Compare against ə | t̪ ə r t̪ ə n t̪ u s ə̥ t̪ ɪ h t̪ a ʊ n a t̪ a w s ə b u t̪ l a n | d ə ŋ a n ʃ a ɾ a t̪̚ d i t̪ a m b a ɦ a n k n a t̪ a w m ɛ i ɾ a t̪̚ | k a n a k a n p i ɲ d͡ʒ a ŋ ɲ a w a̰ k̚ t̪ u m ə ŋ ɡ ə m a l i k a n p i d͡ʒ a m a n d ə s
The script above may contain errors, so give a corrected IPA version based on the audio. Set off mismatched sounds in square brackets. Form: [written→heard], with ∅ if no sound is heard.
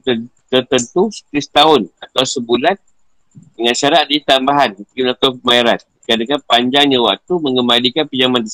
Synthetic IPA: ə | t̪ ə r t̪ ə n t̪ u s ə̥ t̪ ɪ [h→s] t̪ a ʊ n a t̪ a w s ə b u [t̪→∅] l a n | d ə ŋ a n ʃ a ɾ a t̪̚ d i t̪ a m b a ɦ a n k n a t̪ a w m [ɛ→a] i ɾ a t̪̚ | k a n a k a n p [i→a] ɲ d͡ʒ a ŋ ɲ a w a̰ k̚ t̪ u m ə ŋ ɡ ə m a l i k a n p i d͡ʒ a m a n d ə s